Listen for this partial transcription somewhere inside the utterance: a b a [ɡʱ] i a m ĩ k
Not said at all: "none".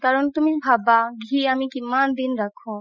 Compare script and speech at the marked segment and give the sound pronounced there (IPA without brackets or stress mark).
ɡʱ